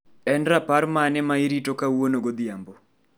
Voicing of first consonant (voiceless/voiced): voiced